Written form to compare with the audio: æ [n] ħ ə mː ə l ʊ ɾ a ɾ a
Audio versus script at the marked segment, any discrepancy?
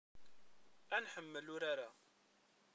no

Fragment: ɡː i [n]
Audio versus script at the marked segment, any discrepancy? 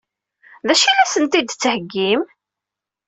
yes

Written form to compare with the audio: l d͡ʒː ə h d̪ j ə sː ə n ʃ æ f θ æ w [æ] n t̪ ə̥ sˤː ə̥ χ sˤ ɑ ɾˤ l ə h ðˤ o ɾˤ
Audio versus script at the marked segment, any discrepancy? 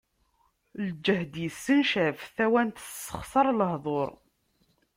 no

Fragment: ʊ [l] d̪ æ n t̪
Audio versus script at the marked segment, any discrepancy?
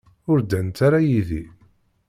yes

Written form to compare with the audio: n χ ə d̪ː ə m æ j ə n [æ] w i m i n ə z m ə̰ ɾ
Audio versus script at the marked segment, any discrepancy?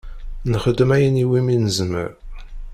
yes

